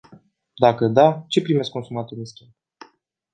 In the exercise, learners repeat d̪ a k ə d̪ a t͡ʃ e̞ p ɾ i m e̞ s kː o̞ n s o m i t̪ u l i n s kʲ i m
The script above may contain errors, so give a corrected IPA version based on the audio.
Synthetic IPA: d̪ a k ə d̪ a t͡ʃ e̞ p ɾ i m e̞ s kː o̞ n s u m a t̪ u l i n s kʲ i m